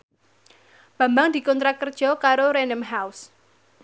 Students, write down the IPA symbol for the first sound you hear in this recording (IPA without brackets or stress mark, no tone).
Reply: b̥